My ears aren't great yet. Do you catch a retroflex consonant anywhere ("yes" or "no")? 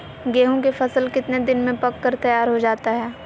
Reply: no